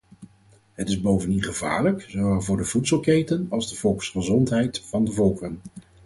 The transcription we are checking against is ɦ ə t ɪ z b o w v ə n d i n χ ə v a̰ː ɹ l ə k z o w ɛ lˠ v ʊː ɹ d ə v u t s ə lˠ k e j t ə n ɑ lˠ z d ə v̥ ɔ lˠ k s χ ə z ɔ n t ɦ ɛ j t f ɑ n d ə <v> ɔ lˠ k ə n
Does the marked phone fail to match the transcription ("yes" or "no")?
no